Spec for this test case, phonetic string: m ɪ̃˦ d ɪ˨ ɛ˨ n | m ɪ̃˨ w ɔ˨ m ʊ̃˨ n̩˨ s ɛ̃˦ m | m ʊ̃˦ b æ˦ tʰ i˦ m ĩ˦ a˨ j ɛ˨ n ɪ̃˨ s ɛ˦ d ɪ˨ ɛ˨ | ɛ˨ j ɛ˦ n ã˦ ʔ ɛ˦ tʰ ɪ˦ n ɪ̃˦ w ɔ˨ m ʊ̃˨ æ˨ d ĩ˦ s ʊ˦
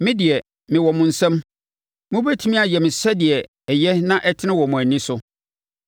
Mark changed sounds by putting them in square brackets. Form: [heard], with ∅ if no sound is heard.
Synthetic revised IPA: m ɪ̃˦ d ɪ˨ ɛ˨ [∅] | m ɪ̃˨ w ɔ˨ m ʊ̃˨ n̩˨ s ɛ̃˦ m | m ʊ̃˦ b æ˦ tʰ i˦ m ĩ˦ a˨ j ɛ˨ [m] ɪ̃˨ s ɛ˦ d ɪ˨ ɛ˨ | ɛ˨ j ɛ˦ n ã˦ ʔ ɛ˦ tʰ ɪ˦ n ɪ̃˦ w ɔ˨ m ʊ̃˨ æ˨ [n] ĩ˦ s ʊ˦